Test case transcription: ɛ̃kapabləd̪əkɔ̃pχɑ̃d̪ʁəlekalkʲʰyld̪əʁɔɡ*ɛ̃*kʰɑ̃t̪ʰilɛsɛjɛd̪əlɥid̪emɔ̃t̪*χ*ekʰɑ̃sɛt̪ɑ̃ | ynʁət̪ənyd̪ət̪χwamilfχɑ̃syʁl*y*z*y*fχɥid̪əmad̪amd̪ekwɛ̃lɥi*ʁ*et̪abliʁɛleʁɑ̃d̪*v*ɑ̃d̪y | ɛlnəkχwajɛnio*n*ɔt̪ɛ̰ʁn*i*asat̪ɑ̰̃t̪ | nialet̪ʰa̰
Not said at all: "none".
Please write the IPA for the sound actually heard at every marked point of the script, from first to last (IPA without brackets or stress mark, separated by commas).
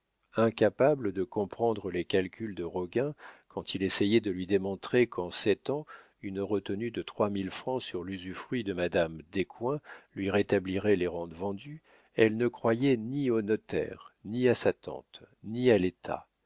ɛ̃, χ, y, y, ʁ, v, n, i